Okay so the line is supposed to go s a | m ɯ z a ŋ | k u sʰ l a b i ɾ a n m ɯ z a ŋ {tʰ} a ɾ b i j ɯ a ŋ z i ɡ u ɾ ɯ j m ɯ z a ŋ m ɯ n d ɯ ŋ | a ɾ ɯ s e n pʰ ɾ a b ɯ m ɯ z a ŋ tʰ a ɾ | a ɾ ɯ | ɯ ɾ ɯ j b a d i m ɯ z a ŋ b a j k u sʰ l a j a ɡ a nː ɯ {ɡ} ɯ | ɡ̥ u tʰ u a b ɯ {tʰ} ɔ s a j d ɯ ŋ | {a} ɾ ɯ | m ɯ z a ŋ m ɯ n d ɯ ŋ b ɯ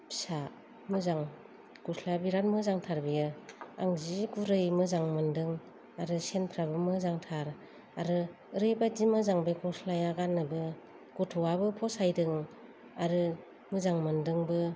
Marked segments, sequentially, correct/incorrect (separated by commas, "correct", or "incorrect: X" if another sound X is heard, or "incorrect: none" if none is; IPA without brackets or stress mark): correct, incorrect: b, incorrect: pʰ, correct